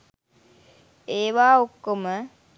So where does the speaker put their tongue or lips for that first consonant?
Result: lips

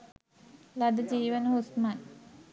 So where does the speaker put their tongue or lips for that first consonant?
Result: tongue tip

